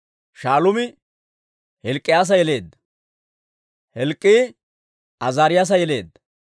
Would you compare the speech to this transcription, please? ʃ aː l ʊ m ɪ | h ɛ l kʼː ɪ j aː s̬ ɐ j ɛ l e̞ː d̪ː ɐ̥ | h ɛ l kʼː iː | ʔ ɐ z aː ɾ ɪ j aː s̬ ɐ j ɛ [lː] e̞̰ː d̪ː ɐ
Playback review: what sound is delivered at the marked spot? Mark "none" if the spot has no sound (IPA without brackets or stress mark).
l